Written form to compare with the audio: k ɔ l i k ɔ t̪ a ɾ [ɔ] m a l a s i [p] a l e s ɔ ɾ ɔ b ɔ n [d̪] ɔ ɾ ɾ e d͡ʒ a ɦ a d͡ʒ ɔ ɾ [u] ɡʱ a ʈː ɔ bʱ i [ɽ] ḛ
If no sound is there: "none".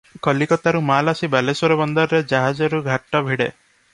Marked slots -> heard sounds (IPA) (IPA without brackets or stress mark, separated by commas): u, b, d̪, u, ɽ